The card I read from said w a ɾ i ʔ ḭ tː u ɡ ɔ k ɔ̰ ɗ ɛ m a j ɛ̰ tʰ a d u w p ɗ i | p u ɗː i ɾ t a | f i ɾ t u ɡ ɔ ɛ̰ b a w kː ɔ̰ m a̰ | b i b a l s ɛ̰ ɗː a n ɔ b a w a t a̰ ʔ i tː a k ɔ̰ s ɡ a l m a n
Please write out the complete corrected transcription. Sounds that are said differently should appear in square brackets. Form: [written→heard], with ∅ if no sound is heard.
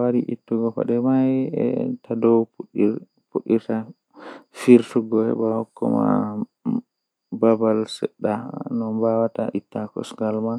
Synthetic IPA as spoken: w a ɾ i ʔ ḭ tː u ɡ ɔ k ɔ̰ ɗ ɛ m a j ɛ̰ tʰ a d [u→ɔ] w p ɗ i | p u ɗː i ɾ t a | f i ɾ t u ɡ ɔ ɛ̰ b a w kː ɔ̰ m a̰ | b [i→a] b a l s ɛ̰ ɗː a n ɔ b a w a t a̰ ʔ i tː a k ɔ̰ s ɡ a l m a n